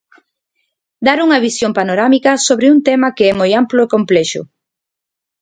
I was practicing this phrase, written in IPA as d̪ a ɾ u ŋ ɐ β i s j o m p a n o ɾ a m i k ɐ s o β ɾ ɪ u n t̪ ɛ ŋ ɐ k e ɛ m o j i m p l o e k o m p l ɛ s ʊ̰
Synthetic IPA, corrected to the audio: d̪ a ɾ u ŋ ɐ β i s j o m p a n o ɾ a m i k ɐ s o β ɾ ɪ u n t̪ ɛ m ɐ k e ɛ m o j a m p l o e k o m p l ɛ ʃ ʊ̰